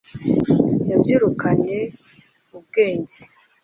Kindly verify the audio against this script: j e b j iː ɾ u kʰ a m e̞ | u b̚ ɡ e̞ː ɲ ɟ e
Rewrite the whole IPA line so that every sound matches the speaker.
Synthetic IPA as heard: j a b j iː ɾ u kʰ a ɲ e̞ | u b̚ ɡ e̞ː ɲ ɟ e